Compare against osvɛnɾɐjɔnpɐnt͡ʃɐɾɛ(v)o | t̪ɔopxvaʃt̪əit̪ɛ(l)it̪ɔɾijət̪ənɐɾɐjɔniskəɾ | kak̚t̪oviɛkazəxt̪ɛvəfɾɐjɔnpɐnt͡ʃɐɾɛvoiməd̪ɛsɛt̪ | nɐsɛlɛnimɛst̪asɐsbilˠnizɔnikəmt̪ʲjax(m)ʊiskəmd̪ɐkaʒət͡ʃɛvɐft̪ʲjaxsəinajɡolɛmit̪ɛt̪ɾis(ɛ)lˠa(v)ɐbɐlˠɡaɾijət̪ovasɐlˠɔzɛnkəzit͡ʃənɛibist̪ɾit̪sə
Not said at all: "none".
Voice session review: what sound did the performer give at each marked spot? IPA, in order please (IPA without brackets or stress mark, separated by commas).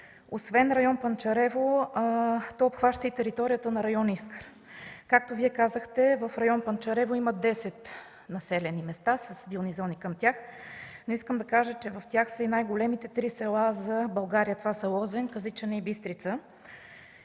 v, ɾ, n, ɛ, z